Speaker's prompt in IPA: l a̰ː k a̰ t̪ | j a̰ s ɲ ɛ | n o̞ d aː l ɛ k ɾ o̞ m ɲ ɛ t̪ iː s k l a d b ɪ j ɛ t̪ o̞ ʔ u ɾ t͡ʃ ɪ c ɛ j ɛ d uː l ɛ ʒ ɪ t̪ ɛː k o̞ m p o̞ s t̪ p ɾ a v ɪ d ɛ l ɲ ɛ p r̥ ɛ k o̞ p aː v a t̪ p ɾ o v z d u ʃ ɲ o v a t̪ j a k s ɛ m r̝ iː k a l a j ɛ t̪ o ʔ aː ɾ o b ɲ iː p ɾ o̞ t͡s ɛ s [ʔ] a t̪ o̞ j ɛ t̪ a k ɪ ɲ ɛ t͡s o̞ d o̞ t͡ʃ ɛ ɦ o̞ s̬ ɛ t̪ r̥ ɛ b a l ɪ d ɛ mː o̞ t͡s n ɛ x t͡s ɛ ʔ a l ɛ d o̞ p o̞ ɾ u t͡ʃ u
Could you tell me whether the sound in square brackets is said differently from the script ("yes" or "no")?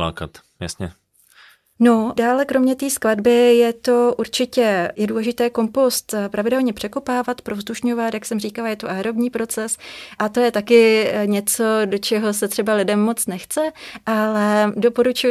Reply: no